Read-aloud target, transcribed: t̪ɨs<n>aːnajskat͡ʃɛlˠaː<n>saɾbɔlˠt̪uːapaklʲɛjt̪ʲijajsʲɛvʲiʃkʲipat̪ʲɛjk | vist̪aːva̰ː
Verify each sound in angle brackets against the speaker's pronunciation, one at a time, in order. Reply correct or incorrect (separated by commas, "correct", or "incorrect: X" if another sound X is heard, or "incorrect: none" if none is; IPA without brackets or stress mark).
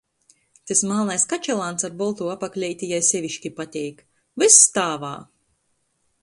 incorrect: m, correct